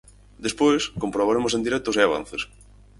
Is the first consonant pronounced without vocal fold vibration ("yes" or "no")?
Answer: no